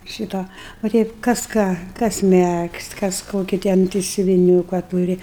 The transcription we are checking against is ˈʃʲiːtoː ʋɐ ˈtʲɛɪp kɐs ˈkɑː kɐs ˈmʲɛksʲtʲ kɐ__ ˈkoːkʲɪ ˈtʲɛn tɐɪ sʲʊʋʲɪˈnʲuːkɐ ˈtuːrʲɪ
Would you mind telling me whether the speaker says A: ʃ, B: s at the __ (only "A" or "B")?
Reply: B